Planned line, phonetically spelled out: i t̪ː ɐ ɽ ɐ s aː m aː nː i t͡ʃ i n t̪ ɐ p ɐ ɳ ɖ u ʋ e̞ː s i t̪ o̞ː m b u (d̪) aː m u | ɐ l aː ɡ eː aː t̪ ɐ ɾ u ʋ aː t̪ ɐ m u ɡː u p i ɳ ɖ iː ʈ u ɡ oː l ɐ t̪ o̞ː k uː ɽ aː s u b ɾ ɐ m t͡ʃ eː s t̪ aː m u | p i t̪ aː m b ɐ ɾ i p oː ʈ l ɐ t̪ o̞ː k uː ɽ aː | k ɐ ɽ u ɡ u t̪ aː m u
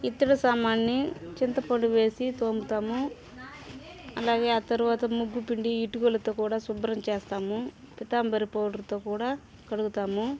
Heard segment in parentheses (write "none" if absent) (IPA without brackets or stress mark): t̪